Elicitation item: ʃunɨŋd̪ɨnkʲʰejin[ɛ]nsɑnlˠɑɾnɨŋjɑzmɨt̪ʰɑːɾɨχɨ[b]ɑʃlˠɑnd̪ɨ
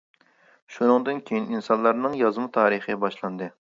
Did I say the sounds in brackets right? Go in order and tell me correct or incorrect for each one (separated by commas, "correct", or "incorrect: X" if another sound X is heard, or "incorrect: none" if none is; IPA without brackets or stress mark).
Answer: incorrect: i, correct